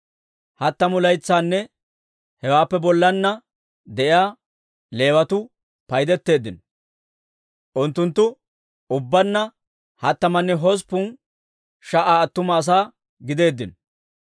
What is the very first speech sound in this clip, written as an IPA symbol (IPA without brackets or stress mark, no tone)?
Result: h